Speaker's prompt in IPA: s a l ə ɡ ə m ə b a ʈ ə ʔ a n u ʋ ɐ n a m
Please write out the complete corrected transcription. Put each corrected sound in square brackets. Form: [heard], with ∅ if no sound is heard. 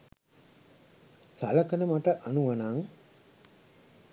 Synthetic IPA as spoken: s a l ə [k] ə [n] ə [m] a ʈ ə ʔ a n u ʋ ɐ n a [ŋ]